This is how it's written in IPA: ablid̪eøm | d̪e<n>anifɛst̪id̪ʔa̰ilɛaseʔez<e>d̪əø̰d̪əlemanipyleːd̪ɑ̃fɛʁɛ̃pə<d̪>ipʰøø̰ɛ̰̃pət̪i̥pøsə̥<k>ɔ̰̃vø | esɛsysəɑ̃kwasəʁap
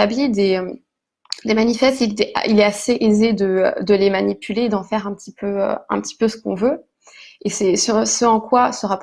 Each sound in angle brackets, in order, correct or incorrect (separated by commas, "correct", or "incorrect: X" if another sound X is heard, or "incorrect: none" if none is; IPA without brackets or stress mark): incorrect: m, correct, incorrect: t̪, correct